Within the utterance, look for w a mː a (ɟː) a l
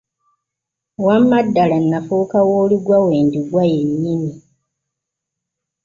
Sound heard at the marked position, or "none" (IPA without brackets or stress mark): dː